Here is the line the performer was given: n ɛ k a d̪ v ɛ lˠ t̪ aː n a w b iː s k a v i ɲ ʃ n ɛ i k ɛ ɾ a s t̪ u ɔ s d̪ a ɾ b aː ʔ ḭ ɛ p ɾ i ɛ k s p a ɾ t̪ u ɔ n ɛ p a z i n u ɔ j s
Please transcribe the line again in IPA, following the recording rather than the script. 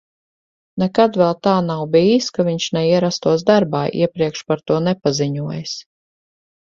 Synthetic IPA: n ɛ k a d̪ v ɛ lˠ t̪ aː n a w b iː s k a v i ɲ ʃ n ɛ i ɛ ɾ a s t̪ u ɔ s d̪ a ɾ b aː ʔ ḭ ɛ p ɾ i ɛ k ʃ p a ɾ t̪ u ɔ n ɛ p a z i ɲ u ɔ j s